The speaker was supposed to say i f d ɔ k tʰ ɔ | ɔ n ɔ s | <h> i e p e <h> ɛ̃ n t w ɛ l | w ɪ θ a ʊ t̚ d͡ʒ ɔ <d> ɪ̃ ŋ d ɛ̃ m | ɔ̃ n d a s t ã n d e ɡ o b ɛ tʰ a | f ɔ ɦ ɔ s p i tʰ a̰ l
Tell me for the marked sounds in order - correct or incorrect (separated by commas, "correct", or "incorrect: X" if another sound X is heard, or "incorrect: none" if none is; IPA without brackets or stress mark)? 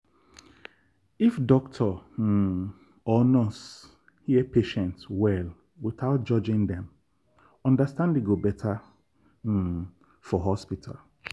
correct, incorrect: ʃ, incorrect: d͡ʒ